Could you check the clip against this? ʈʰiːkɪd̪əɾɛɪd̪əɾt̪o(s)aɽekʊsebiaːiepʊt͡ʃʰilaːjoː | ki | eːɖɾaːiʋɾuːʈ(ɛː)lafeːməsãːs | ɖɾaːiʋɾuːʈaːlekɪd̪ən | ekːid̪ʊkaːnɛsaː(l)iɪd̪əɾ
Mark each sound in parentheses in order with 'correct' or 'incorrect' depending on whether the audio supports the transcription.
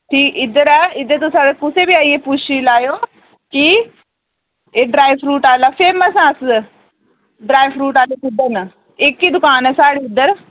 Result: correct, incorrect, incorrect

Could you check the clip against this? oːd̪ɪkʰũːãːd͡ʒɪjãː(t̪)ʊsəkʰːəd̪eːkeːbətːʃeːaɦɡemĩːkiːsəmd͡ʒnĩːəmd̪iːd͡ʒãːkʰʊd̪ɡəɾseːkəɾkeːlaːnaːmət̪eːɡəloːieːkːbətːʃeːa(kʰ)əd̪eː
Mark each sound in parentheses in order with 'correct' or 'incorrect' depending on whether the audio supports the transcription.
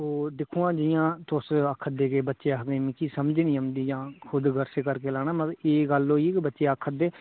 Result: correct, correct

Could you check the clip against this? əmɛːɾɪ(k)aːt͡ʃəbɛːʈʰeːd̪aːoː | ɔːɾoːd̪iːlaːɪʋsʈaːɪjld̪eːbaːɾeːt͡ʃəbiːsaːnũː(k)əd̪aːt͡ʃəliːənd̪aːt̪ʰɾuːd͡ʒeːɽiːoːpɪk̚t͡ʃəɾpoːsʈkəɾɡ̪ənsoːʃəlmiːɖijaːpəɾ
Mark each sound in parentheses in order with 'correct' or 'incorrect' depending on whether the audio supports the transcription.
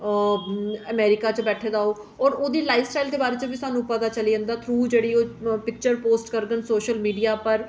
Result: correct, incorrect

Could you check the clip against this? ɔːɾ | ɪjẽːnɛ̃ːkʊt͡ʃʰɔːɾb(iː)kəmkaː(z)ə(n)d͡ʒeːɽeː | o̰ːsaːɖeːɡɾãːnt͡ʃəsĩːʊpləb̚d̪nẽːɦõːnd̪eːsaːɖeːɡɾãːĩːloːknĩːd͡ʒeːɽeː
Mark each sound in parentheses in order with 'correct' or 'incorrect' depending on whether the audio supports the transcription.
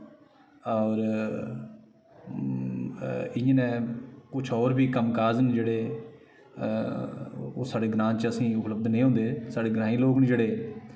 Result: correct, correct, correct

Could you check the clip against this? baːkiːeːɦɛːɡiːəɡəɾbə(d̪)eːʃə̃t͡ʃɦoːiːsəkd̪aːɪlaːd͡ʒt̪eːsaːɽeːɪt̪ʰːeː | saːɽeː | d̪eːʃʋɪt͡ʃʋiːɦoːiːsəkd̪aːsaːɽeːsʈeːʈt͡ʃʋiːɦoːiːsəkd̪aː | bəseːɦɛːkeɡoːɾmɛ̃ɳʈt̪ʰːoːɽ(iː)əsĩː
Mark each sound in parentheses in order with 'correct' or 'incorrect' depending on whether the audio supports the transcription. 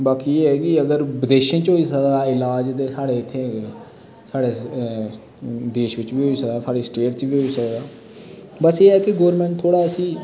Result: correct, incorrect

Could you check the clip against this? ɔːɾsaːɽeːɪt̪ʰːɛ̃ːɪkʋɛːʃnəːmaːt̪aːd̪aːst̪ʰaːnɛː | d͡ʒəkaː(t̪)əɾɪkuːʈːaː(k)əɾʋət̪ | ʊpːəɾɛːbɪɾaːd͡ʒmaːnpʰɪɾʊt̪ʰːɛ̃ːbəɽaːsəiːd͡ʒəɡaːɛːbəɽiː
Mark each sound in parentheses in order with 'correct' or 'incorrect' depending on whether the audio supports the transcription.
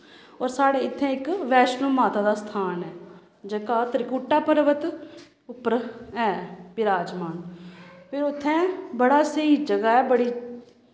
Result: correct, incorrect

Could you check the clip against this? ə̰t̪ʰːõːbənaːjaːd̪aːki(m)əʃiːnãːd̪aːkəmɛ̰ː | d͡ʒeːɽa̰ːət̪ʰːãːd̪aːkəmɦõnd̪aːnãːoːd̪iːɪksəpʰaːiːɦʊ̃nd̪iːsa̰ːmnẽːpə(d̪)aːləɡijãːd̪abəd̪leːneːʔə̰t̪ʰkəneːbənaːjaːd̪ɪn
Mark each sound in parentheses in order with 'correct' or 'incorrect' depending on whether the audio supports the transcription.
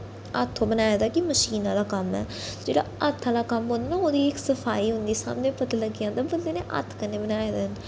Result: correct, incorrect

